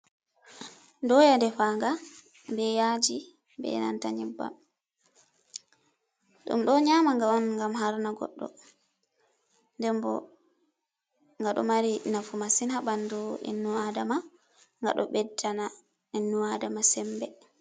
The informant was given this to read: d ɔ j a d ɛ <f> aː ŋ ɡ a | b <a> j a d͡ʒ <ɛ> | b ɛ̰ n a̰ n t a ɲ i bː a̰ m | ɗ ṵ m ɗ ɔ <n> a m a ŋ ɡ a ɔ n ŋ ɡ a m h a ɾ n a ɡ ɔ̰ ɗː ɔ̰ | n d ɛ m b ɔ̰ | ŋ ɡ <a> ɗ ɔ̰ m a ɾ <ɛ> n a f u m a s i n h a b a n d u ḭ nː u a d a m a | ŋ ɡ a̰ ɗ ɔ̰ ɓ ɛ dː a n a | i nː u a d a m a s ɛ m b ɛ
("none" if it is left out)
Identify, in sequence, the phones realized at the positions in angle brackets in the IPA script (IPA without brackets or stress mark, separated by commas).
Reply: f, ɛ, i, ɲ, a, i